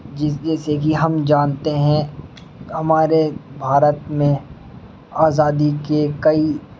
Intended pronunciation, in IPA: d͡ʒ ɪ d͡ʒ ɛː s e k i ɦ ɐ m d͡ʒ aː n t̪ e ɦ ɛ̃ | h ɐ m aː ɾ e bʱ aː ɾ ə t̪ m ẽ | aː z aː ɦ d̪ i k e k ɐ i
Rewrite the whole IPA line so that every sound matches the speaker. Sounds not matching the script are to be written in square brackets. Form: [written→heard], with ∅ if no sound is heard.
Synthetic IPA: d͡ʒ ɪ d͡ʒ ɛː s e k i ɦ ɐ m d͡ʒ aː n t̪ e ɦ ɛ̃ | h ɐ m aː ɾ e bʱ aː ɾ ə t̪ m ẽ | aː z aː [ɦ→∅] d̪ i k e k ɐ i